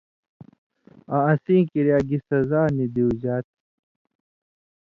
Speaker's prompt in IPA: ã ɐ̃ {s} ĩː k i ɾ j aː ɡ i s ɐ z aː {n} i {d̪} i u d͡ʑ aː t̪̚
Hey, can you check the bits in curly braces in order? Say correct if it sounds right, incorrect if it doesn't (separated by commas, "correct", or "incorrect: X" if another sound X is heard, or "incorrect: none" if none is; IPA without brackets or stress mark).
correct, correct, correct